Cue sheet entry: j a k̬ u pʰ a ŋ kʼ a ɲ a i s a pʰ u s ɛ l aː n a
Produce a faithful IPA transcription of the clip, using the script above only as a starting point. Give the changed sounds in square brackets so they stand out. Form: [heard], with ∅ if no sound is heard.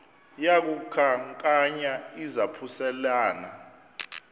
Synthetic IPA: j a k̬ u [kʰ] a ŋ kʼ a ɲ a i [z] a pʰ u s ɛ l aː n a